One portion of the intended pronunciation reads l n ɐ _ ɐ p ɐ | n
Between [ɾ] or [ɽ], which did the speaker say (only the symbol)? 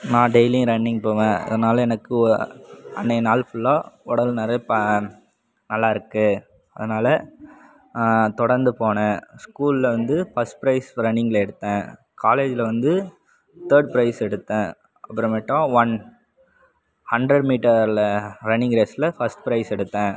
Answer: ɾ